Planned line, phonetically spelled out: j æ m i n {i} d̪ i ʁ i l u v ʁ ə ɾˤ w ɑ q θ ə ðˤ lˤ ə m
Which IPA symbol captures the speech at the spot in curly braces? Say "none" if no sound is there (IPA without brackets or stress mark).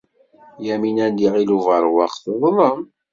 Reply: æ